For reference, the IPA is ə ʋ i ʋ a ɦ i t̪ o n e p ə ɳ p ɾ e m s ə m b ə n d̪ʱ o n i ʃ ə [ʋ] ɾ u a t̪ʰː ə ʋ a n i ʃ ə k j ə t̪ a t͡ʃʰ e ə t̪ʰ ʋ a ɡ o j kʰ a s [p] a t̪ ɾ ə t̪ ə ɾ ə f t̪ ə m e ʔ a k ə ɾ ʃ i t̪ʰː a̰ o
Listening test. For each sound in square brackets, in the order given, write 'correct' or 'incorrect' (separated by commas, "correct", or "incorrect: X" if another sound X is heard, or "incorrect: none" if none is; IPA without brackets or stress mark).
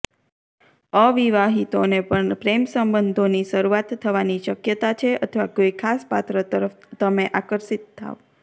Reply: incorrect: none, correct